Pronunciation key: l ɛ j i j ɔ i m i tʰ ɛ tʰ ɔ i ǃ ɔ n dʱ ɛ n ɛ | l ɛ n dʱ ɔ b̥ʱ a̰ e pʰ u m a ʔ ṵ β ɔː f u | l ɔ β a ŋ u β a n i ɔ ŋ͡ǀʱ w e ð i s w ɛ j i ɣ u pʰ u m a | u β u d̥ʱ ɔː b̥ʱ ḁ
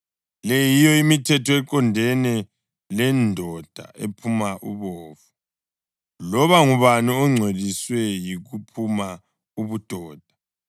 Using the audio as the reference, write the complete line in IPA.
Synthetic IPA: l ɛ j i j ɔ i m i tʰ ɛ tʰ ɔ ɛ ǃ ɔ n dʱ ɛ n ɛ | l ɛ n dʱ ɔ d̥ʱ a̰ e pʰ u m a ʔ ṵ β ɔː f u | l ɔ β a ŋ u β a n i ɔ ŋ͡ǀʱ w e ð i s w ɛ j i ɣ u pʰ u m a | u β u d̥ʱ ɔː d̥ʱ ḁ